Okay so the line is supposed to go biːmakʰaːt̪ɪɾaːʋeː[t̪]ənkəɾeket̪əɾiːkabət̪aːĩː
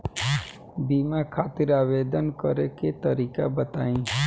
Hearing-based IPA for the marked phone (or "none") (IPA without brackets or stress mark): d̪